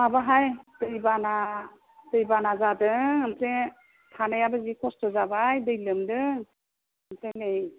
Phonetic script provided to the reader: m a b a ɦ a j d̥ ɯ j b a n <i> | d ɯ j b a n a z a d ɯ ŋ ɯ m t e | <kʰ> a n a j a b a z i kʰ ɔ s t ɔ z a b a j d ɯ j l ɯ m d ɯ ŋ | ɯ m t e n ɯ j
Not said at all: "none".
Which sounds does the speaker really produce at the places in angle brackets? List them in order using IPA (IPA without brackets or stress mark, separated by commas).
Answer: a, tʰ